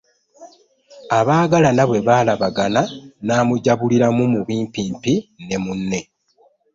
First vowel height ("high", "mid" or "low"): low